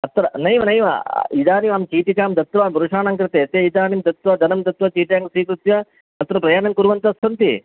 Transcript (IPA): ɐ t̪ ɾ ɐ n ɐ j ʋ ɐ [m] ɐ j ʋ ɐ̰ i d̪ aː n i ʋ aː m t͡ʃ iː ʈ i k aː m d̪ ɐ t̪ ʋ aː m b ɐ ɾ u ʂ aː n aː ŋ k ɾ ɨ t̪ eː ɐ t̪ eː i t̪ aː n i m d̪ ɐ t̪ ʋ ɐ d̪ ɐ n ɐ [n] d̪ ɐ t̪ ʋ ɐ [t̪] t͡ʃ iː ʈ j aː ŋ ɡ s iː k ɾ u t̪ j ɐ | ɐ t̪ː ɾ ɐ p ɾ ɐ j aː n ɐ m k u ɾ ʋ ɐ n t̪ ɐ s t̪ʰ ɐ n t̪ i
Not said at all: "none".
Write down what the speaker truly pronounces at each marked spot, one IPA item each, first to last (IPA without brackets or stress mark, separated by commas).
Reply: n, m, none